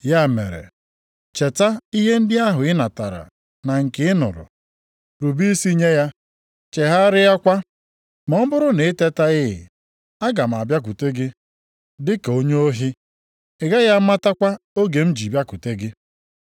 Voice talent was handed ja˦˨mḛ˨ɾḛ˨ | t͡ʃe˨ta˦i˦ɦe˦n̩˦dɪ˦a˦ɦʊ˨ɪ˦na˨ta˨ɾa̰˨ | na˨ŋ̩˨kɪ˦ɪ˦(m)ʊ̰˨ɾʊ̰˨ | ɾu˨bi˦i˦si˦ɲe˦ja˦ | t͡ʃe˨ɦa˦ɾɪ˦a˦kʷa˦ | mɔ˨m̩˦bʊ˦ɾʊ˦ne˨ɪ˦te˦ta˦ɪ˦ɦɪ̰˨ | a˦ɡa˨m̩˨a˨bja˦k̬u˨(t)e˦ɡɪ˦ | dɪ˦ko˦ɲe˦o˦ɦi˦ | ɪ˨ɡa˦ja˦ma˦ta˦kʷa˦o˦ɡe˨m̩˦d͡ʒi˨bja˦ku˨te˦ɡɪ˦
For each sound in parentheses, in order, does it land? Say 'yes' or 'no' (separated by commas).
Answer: no, yes